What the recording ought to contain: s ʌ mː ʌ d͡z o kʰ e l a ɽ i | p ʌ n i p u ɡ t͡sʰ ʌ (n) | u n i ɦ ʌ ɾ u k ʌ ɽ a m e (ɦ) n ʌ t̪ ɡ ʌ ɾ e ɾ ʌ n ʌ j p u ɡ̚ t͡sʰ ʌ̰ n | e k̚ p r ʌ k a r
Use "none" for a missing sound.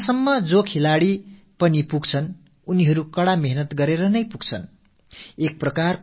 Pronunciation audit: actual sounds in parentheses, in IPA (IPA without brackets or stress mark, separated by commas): n, ɦ